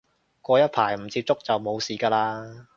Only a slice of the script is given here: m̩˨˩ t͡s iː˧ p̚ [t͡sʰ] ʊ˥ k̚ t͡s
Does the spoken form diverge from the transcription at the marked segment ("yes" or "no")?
yes